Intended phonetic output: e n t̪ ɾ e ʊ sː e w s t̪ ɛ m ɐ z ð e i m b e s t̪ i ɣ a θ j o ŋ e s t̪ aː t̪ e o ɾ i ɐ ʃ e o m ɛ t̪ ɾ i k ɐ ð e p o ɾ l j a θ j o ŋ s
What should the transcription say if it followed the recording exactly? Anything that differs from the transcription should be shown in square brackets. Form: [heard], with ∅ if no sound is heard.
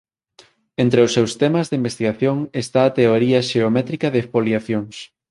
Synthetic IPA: e n t̪ ɾ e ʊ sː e w s t̪ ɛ m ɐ z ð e i m b e s t̪ i ɣ a θ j o ŋ e s t̪ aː t̪ e o ɾ i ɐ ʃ e o m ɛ t̪ ɾ i k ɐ ð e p o [∅] l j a θ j o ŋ s